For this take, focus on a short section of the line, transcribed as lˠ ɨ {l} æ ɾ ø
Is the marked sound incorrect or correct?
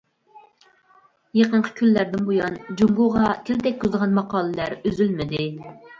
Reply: correct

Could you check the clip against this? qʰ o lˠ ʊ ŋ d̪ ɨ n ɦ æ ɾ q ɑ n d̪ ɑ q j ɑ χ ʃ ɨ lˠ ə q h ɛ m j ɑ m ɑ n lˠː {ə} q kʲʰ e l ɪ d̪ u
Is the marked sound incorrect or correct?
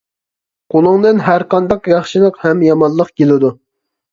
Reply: correct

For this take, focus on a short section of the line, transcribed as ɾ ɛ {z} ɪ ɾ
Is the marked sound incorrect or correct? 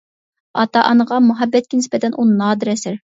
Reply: incorrect: s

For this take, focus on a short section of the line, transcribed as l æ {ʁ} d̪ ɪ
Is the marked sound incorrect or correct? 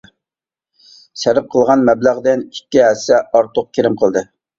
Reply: correct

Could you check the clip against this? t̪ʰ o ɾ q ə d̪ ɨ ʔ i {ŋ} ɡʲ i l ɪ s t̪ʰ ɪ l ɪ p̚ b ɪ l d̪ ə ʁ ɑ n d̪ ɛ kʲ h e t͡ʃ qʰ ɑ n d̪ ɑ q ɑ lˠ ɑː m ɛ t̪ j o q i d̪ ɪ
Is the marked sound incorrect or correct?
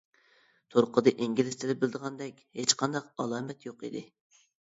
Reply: correct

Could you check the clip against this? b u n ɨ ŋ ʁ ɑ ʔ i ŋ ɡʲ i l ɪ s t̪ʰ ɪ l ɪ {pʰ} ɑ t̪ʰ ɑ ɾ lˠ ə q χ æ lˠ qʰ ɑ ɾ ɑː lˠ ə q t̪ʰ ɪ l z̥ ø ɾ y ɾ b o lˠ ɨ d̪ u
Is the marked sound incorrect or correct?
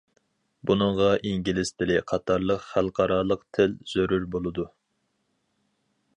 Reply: incorrect: qʰ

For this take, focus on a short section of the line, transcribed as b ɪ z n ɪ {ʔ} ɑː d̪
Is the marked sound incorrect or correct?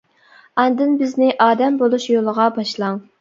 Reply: correct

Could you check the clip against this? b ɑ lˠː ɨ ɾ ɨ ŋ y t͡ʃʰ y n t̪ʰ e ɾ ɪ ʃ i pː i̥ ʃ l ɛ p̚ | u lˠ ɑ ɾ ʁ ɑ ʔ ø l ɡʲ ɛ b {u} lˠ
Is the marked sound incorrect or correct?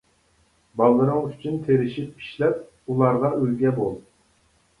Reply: incorrect: o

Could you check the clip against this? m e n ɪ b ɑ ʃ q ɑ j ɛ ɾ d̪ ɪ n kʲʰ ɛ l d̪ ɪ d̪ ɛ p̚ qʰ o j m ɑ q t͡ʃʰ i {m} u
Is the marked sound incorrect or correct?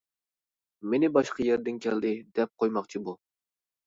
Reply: incorrect: b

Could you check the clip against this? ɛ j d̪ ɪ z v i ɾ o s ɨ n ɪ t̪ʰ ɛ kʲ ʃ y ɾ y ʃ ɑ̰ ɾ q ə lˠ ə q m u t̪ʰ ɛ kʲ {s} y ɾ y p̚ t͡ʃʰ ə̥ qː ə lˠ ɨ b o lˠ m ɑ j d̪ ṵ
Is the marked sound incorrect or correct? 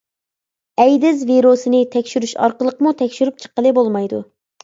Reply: incorrect: ʃ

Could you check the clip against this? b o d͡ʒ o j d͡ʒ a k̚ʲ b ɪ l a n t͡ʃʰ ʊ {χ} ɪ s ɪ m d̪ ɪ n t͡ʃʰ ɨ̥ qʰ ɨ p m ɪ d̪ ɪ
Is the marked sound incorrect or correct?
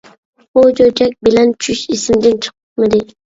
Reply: incorrect: ʃ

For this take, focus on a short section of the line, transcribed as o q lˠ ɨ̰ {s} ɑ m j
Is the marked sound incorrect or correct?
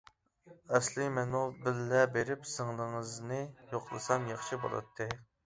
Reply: correct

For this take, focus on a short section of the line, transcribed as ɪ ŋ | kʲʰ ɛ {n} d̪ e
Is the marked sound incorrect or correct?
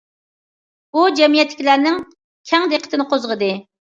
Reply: incorrect: ŋ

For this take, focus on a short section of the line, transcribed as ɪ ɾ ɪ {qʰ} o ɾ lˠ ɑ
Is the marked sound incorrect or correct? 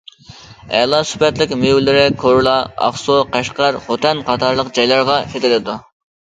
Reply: incorrect: kʰ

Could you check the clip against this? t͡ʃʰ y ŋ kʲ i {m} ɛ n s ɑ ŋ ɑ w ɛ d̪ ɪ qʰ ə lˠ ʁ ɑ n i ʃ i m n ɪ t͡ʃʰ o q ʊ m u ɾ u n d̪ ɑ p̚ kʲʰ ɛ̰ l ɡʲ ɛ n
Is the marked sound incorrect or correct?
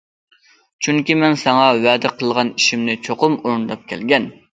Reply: correct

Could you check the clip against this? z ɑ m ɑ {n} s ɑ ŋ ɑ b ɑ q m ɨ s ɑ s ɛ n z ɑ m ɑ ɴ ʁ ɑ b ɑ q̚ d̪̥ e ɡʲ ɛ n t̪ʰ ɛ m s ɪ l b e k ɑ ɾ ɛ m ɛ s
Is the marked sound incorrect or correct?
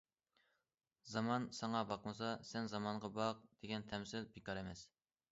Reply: correct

